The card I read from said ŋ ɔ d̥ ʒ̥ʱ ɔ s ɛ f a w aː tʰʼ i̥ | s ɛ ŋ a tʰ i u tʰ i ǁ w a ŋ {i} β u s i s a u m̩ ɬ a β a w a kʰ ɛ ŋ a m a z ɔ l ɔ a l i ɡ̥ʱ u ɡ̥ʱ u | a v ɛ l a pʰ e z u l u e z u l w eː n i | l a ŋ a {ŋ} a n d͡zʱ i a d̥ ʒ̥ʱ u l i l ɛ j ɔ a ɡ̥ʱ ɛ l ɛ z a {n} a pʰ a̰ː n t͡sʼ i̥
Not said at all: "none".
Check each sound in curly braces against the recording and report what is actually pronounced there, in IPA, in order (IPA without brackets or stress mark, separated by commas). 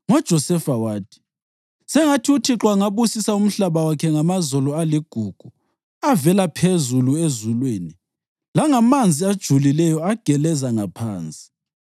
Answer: a, m, ŋ